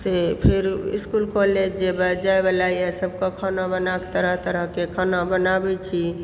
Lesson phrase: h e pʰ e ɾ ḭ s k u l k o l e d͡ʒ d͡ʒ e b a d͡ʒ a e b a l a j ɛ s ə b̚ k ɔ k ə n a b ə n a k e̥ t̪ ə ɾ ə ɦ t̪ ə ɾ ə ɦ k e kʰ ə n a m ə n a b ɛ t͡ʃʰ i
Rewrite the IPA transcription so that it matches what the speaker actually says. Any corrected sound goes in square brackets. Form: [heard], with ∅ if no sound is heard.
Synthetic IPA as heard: [s] e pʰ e ɾ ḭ s k u l k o l e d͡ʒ d͡ʒ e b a d͡ʒ a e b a l a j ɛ s ə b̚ k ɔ [kʰ] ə n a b ə n a k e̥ t̪ ə ɾ ə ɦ t̪ ə ɾ ə ɦ k e kʰ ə n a [b] ə n a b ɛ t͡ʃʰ i